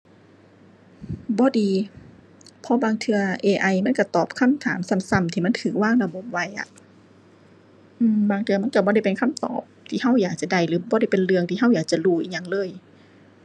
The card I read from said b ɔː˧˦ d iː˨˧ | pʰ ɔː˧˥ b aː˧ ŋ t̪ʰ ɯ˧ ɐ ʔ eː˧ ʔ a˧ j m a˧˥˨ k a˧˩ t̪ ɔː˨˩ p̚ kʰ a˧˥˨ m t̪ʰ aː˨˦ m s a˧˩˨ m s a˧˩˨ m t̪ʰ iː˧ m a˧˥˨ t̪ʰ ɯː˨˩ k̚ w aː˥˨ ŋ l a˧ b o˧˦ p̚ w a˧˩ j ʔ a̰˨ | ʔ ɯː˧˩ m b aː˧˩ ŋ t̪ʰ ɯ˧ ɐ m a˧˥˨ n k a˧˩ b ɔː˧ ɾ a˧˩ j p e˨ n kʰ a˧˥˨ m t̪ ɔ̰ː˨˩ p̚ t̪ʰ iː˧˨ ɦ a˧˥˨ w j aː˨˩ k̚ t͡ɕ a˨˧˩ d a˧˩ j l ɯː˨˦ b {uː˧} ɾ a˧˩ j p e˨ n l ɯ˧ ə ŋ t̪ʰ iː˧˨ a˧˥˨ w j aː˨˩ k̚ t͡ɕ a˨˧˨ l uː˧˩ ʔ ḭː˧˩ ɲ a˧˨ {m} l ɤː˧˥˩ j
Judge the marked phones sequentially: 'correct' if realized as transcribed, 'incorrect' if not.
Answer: incorrect: ɔː˧, incorrect: ŋ

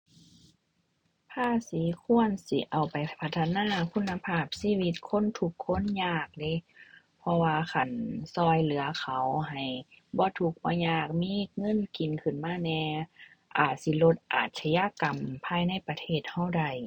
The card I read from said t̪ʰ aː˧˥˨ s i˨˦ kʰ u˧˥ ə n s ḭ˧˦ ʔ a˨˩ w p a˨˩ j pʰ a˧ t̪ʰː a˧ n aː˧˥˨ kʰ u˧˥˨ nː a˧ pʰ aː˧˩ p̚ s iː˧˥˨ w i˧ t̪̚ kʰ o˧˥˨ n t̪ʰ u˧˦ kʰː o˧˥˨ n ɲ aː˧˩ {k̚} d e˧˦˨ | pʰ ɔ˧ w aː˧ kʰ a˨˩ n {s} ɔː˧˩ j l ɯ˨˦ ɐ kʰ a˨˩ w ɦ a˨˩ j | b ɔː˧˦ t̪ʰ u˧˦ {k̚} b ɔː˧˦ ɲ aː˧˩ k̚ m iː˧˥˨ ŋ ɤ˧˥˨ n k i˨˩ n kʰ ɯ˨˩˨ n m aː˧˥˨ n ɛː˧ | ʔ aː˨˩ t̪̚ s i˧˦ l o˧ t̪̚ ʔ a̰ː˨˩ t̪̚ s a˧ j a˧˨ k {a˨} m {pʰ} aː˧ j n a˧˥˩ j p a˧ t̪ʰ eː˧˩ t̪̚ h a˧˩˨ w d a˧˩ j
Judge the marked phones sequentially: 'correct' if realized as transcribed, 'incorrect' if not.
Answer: correct, correct, correct, correct, correct

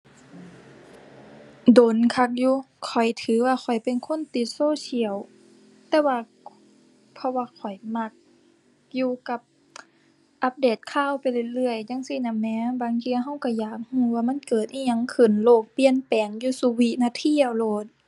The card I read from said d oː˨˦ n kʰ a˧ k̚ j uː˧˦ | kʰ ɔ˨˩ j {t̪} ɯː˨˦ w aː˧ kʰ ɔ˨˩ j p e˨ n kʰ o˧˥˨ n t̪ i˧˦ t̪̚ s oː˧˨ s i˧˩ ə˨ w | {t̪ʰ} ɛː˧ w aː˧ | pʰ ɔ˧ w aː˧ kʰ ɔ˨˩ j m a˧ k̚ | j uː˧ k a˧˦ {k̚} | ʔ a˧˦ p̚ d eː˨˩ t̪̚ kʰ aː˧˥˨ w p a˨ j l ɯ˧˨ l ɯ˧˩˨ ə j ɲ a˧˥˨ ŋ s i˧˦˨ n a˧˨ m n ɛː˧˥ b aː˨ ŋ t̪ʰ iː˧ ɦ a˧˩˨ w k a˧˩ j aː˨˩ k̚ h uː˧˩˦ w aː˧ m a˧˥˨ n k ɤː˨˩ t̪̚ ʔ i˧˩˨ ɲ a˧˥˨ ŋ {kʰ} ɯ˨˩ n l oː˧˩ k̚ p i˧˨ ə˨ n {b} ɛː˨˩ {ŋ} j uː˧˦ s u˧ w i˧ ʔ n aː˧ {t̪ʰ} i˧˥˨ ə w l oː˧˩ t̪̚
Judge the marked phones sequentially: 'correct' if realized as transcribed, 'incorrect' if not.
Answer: incorrect: t̪ʰ, incorrect: t̪, incorrect: p̚, correct, incorrect: p, correct, correct

